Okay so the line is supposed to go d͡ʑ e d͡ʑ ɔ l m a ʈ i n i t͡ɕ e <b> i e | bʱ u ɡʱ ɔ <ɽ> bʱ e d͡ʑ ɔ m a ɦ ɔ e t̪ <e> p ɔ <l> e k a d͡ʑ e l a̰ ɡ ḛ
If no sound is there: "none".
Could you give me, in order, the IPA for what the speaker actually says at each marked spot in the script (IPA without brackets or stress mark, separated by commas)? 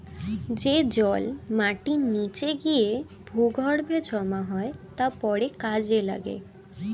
ɡ, ɽ, a, ɽ